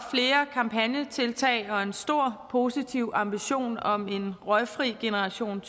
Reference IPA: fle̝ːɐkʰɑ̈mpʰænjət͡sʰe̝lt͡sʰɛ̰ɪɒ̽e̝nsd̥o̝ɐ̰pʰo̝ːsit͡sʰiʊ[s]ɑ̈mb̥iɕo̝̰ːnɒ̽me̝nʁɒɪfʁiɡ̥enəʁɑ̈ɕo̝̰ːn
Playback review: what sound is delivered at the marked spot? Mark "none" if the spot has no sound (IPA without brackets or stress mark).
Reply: none